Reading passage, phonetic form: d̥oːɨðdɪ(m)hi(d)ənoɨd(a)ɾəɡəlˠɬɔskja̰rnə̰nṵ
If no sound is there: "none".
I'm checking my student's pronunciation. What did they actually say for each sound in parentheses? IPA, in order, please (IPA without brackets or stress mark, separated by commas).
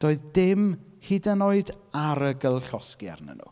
m, d, a